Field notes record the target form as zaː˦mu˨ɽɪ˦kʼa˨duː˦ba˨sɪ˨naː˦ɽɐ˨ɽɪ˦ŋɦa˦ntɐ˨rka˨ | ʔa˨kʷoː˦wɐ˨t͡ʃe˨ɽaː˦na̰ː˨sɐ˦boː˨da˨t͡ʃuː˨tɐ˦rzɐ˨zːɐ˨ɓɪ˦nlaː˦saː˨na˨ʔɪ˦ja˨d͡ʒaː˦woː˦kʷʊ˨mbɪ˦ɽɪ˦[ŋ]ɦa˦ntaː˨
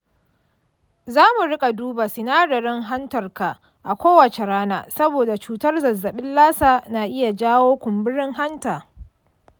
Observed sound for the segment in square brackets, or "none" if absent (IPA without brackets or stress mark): ŋ